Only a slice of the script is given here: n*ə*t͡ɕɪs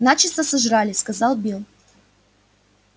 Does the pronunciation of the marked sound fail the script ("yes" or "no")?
yes